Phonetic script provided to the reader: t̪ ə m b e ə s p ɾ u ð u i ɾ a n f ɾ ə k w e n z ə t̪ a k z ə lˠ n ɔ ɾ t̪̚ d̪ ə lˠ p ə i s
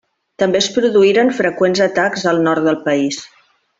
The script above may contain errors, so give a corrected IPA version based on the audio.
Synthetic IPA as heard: t̪ ə m b e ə s p ɾ u ð u i ɾ ə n f ɾ ə k w e n z ə t̪ a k z ə lˠ n ɔ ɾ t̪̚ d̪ ə lˠ p ə i s